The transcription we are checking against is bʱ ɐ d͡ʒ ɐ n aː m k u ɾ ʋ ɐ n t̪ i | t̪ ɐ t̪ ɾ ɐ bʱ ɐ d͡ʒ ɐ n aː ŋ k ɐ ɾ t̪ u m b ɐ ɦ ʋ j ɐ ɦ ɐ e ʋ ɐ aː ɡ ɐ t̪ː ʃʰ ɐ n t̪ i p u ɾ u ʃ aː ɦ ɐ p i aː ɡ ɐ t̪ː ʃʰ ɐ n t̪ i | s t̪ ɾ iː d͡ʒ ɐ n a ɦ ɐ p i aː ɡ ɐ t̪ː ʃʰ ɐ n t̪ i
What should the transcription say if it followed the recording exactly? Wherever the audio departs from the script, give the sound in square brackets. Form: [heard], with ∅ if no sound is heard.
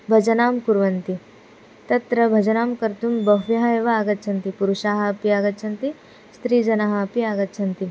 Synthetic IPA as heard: bʱ ɐ d͡ʒ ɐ n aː m k u ɾ ʋ ɐ n t̪ i | t̪ ɐ t̪ ɾ ɐ bʱ ɐ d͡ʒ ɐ n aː [m] k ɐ ɾ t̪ u m b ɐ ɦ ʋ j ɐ ɦ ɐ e ʋ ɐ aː ɡ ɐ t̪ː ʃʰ ɐ n t̪ i p u ɾ u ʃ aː ɦ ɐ p i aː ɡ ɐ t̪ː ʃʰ ɐ n t̪ i | s t̪ ɾ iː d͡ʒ ɐ n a ɦ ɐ p i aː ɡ ɐ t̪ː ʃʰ ɐ n t̪ i